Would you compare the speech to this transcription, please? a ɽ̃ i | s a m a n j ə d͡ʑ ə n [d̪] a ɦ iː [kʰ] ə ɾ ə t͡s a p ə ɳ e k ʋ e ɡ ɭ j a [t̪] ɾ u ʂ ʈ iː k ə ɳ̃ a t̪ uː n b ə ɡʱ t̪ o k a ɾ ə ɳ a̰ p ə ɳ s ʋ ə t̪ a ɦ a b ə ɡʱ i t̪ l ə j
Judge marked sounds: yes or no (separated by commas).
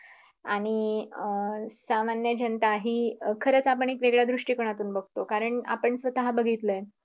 no, yes, no